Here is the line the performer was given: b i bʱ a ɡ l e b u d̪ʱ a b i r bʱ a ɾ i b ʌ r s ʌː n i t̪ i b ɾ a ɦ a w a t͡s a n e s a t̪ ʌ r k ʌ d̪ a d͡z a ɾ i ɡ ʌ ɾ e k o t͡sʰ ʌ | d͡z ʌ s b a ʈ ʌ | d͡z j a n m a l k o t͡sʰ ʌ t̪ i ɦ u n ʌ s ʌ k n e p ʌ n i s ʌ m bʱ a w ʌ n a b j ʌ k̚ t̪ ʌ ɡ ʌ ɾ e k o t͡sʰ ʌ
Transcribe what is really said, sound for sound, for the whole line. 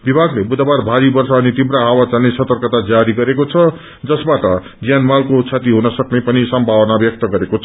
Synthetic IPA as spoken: b i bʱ a ɡ l e b u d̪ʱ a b a r bʱ a ɾ i b ʌ r s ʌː n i t̪ i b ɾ a ɦ a w a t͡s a n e s ʌ t̪ ʌ r k ʌ t̪ a d͡z a ɾ i ɡ ʌ ɾ e k o t͡sʰ ʌ | d͡z ʌ s b a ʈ ʌ | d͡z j a n m a l k o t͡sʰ a t̪ i ɦ u n ʌ s ʌ k n e p ʌ n i s ʌ m bʱ a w ʌ n a b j ʌ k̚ t̪ ʌ ɡ ʌ ɾ e k o t͡sʰ ʌ